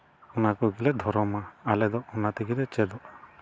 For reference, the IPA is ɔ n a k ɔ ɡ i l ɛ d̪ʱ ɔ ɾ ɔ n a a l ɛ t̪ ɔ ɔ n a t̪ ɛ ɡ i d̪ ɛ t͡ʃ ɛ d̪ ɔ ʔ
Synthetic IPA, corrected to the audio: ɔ n a k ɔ ɡ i l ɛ d̪ʱ ɔ ɾ ɔ m a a l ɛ d̪ ɔ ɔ n a t̪ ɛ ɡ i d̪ ɛ t͡ʃ ɛ d̪ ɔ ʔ